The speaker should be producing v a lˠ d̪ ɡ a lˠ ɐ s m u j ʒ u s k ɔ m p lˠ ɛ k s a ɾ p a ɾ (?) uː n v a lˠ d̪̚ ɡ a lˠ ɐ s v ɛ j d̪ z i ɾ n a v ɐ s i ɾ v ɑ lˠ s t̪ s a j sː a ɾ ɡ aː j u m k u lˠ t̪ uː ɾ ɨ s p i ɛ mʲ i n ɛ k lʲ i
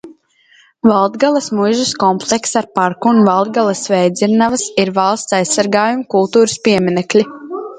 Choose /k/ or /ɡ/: k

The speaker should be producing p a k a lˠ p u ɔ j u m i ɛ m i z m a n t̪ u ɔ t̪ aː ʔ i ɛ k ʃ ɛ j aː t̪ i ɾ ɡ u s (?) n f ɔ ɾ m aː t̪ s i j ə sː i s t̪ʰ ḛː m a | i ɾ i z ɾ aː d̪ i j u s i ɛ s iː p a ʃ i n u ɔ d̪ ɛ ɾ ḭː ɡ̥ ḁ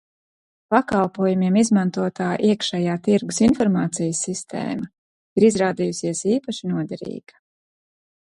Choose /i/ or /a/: i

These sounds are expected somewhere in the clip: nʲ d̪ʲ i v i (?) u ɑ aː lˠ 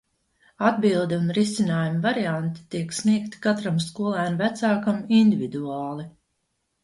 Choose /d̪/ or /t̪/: d̪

